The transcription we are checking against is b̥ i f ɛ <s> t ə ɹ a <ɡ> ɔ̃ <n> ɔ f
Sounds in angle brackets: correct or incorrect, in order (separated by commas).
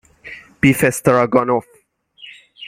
correct, correct, correct